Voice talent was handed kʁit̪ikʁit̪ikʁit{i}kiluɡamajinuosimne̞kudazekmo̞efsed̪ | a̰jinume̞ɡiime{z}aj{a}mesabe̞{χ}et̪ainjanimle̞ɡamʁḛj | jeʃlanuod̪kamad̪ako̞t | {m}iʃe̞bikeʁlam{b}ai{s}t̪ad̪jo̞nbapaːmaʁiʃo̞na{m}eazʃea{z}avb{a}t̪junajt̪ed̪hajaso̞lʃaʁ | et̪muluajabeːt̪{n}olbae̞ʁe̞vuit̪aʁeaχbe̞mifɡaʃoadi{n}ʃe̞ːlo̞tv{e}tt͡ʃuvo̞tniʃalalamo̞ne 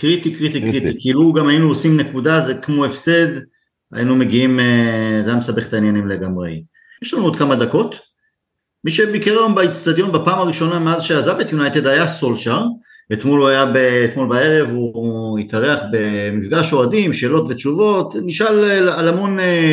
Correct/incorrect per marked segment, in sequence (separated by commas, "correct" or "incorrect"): correct, correct, correct, correct, correct, correct, incorrect, correct, correct, incorrect, incorrect, incorrect, correct